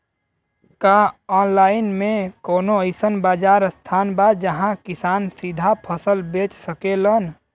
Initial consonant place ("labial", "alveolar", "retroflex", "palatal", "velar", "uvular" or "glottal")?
velar